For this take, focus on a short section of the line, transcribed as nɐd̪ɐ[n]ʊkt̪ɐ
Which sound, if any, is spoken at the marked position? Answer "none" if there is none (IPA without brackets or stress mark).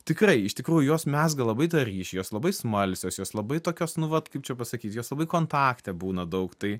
none